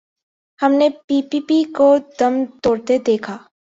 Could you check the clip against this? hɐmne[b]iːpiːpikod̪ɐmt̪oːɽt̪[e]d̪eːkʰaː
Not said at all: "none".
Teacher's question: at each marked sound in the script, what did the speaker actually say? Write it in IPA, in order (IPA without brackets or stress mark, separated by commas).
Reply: p, e